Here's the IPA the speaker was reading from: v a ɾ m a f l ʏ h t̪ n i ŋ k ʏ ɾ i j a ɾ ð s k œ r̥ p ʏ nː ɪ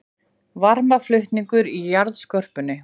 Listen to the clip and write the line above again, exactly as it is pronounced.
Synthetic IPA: v a ɾ m a f l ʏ h t̪ n i ŋ k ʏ ɾ i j a ɾ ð s k œ r̥ p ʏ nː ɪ